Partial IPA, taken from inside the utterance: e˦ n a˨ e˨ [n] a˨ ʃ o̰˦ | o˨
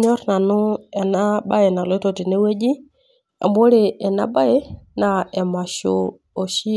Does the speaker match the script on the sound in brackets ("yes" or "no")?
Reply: no